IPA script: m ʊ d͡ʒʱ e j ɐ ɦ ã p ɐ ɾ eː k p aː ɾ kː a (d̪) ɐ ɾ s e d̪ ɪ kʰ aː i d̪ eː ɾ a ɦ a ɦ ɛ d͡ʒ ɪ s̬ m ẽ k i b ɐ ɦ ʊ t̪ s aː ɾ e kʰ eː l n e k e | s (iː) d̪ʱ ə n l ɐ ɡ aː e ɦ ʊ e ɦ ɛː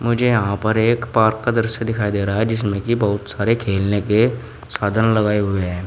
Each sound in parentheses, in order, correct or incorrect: correct, incorrect: aː

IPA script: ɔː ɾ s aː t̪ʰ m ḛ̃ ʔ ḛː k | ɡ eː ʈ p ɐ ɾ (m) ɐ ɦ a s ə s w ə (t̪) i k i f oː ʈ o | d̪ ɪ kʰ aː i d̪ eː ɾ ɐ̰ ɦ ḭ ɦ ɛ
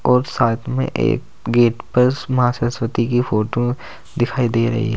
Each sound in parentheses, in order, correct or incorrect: correct, correct

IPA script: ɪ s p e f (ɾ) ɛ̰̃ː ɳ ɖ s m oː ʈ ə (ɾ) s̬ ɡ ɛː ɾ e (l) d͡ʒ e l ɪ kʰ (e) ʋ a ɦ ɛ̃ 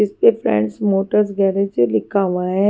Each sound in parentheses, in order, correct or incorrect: correct, correct, incorrect: none, incorrect: a

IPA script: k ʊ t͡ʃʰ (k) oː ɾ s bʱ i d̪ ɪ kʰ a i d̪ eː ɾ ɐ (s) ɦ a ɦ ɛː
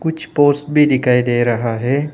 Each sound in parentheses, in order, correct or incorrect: incorrect: p, incorrect: none

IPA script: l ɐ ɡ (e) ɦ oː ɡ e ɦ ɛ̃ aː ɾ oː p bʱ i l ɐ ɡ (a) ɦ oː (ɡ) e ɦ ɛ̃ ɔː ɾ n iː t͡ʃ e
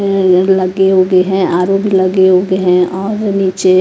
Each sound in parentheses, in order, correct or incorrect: correct, incorrect: e, correct

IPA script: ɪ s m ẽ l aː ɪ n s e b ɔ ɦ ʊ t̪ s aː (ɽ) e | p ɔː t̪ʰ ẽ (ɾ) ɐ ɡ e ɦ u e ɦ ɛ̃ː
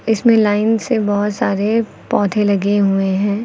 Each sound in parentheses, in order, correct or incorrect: incorrect: ɾ, incorrect: l

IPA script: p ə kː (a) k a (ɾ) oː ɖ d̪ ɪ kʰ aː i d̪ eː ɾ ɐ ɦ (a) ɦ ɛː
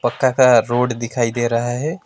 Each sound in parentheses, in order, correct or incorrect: correct, correct, correct

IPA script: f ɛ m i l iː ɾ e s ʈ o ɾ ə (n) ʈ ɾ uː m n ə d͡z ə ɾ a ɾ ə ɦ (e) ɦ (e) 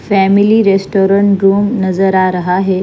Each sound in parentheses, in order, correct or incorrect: incorrect: ɳ, incorrect: a, correct

